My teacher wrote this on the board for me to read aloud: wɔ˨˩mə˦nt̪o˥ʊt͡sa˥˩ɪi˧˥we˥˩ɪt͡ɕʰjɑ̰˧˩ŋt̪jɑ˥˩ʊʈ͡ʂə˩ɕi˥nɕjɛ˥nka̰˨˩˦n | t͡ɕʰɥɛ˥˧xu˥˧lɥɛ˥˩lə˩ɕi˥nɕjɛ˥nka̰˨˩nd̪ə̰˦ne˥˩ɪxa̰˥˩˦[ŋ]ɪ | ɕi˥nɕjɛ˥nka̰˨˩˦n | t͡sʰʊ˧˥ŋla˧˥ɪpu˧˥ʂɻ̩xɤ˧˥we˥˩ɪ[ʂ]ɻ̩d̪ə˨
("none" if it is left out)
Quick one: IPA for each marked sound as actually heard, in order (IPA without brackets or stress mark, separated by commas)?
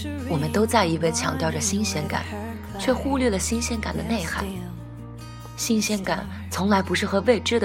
none, ʈ͡ʂ